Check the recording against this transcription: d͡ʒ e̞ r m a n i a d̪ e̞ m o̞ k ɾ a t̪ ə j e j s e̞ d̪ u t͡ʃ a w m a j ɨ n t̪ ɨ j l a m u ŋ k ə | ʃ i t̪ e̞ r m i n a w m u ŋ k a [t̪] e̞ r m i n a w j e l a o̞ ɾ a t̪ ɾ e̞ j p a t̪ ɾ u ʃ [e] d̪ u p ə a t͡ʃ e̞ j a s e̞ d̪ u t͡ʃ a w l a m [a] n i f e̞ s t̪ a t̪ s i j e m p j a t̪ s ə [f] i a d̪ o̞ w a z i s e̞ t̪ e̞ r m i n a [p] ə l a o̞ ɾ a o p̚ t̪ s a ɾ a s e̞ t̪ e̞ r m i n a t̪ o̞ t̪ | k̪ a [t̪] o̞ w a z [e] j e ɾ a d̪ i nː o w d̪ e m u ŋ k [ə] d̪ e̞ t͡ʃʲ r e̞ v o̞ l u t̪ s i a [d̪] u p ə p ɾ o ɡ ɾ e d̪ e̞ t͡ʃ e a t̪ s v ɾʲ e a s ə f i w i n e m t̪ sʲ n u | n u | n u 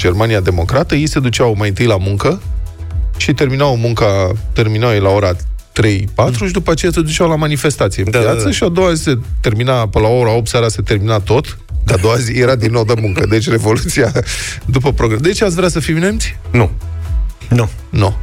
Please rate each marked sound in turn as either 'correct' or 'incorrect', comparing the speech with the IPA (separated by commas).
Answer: correct, incorrect, correct, incorrect, correct, incorrect, incorrect, correct, correct